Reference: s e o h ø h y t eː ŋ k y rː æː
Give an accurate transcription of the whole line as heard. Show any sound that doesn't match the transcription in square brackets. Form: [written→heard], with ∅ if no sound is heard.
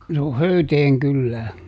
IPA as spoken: s e o h ø [h→∅] y t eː ŋ k y [rː→lː] æː